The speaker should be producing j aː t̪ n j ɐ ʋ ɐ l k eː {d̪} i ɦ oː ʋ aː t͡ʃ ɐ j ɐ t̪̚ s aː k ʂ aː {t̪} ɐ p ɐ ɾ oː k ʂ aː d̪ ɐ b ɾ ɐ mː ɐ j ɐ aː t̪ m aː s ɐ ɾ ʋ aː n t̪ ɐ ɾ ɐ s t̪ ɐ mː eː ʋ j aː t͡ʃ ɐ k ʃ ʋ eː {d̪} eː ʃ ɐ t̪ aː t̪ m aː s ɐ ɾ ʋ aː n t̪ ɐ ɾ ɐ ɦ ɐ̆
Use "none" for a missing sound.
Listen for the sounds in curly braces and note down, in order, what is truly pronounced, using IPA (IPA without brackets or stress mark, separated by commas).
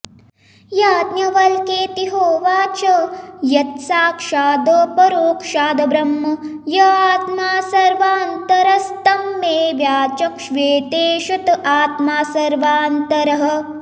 t̪, d̪, t̪